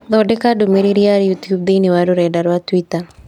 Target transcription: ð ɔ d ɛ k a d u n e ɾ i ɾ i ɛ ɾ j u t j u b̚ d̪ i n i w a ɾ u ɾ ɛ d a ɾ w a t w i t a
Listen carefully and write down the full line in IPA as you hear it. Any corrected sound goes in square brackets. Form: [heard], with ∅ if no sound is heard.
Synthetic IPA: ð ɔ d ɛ k a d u [m] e ɾ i ɾ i [a] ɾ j u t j u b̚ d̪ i n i w a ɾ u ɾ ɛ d a ɾ w a t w i t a